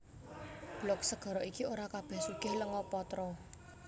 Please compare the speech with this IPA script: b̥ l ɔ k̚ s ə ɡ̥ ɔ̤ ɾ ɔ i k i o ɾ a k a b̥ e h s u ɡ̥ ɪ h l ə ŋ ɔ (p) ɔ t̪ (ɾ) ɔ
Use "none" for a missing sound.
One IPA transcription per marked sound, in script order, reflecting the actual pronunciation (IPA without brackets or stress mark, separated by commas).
p, ɾ